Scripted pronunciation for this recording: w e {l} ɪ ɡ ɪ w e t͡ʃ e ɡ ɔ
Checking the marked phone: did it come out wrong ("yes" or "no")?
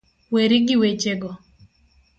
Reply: yes